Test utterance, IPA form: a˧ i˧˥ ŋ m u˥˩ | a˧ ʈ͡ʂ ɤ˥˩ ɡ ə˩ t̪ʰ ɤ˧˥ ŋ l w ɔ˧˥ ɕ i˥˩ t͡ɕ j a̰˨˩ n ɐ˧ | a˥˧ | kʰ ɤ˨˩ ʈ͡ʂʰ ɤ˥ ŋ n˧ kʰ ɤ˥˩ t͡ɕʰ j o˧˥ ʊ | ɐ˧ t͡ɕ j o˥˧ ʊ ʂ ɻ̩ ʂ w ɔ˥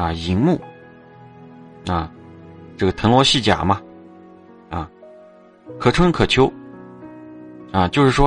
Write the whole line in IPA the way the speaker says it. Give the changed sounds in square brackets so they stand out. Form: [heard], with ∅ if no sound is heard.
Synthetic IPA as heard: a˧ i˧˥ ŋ m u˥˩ | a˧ ʈ͡ʂ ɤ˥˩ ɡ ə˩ t̪ʰ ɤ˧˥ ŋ l w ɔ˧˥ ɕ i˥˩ t͡ɕ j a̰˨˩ [m] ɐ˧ | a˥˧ | kʰ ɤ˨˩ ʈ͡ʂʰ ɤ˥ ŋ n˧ kʰ [ɤ˨˩] t͡ɕʰ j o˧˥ ʊ | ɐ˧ t͡ɕ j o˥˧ ʊ ʂ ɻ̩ ʂ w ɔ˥